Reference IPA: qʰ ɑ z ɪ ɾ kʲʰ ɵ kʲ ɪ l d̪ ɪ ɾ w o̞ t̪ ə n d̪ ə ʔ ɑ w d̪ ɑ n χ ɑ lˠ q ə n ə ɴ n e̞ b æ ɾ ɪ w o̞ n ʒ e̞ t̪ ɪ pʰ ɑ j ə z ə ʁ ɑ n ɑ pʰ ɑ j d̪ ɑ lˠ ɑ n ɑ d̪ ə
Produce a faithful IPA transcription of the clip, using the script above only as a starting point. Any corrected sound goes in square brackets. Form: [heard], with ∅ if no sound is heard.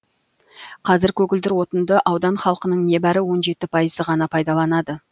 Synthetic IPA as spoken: qʰ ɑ z ɪ ɾ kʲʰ ɵ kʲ ɪ l d̪ ɪ ɾ w o̞ t̪ ə n d̪ ə ʔ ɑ w d̪ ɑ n χ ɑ lˠ q ə n ə ɴ n e̞ b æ ɾ ɪ w o̞ n ʒ e̞ t̪ ɪ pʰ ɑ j ə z ə ʁ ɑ n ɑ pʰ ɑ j d̪ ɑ lˠ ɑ n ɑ d̪ ə